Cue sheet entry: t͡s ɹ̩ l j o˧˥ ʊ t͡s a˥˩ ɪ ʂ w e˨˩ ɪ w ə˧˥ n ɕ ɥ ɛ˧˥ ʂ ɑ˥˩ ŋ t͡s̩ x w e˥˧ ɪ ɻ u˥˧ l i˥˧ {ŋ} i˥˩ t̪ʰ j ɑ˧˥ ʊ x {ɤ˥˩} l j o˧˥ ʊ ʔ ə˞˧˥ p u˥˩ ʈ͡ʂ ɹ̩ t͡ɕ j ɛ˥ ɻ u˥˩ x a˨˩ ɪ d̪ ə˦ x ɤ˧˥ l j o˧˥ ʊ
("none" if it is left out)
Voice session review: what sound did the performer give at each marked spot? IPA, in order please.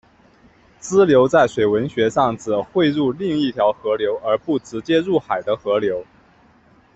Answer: ŋ, ɤ˧˥

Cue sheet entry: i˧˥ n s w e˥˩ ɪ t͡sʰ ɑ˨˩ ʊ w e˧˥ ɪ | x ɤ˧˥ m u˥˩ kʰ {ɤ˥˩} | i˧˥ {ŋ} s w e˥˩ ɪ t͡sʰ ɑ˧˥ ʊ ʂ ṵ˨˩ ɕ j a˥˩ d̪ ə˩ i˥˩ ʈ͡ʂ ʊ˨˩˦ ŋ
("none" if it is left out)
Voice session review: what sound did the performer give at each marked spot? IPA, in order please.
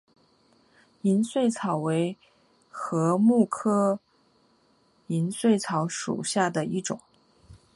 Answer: ɤ˥, n

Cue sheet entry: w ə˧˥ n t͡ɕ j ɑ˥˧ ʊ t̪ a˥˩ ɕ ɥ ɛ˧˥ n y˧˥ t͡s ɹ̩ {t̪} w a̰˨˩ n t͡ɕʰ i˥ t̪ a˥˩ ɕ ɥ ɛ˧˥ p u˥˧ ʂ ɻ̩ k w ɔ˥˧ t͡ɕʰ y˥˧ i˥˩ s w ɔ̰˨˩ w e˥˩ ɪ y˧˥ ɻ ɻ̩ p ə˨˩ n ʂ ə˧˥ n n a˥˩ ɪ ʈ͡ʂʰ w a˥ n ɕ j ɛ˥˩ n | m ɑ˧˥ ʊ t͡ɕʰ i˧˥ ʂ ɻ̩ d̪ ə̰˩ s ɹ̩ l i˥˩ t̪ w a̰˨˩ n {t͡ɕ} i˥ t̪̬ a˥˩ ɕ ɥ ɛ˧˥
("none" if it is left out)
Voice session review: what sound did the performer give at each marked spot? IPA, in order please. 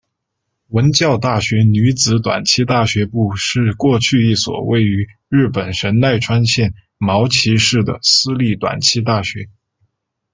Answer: t̪, t͡ɕʰ

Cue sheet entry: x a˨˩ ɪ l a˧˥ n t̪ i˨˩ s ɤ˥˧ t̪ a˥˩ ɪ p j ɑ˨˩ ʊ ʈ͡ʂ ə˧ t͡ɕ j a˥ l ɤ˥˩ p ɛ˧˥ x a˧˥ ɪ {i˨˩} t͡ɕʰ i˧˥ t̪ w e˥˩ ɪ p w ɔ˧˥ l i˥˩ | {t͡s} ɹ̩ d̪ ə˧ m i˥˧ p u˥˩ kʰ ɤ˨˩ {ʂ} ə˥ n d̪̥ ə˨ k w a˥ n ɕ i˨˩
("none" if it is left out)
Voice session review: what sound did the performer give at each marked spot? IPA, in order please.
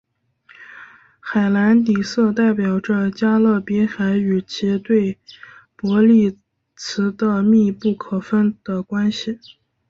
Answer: y˨˩, t͡sʰ, f

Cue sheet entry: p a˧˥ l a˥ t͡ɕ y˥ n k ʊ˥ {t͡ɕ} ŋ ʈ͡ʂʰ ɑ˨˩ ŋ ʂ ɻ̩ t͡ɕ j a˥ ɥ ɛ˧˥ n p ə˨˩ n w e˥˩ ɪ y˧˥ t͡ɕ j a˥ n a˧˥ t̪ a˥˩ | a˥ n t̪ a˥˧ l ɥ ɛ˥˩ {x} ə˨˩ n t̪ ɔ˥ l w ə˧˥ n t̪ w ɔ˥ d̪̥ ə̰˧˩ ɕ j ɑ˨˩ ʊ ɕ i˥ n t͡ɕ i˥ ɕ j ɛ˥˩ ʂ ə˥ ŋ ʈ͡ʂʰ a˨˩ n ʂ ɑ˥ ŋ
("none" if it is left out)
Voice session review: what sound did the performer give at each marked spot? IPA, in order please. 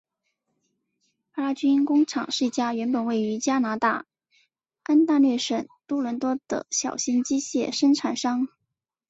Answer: none, ʂ

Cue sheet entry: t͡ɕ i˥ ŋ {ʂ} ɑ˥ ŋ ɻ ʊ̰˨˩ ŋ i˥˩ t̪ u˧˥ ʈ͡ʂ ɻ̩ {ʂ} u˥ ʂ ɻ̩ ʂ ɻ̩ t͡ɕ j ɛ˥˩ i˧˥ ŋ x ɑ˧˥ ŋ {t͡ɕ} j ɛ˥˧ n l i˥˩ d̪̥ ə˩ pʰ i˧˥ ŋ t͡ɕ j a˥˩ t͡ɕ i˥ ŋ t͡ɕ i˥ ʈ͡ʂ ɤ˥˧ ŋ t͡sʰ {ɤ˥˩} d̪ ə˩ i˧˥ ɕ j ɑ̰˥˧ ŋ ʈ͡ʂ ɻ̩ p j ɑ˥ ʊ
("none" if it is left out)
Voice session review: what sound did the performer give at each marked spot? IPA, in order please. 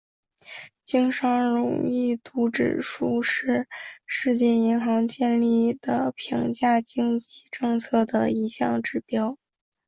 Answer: ʂ, ʂ, t͡ɕ, ɤ˥˩

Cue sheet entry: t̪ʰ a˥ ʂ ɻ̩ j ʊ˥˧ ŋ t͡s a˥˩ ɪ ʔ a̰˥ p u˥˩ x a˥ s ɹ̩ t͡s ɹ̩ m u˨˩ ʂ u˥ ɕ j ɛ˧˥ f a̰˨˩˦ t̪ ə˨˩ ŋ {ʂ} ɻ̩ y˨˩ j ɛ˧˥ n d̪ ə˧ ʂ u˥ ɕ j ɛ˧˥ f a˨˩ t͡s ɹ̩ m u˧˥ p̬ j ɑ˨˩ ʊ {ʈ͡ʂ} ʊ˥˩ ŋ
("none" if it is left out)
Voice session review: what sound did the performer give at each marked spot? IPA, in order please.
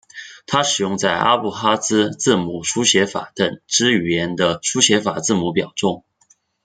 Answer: ʈ͡ʂ, ʈ͡ʂ

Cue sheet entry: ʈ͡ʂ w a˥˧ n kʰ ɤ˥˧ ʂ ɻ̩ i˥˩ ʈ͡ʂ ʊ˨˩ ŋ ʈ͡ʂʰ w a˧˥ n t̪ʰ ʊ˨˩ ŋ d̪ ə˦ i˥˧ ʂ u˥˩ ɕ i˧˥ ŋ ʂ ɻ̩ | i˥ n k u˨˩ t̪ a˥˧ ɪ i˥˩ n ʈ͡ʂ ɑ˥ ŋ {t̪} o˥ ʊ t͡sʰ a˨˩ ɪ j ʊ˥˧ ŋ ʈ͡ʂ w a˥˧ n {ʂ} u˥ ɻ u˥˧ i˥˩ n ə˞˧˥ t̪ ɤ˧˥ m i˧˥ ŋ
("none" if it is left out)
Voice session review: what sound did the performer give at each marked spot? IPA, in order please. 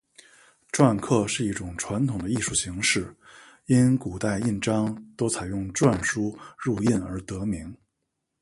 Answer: t̪, ʂ

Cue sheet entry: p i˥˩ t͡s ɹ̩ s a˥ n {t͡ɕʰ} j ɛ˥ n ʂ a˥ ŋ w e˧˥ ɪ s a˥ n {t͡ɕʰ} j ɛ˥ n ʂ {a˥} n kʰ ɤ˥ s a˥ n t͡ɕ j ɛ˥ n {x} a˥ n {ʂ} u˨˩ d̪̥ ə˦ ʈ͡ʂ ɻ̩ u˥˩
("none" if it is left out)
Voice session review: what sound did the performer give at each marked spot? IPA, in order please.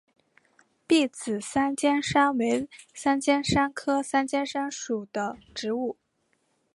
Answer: t͡ɕ, t͡ɕ, a˥, ʂ, ʂ

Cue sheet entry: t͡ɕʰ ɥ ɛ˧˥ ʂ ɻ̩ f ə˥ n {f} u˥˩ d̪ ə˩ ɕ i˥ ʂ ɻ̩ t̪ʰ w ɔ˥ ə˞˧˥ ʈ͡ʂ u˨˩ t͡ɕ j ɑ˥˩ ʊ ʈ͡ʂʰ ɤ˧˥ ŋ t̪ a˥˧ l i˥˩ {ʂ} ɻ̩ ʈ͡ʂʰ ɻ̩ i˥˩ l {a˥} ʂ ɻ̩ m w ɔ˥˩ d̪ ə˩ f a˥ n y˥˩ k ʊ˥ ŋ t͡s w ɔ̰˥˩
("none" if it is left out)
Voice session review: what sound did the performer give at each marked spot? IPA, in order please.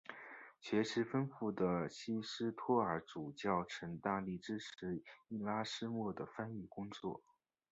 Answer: f, ʈ͡ʂ, a˥

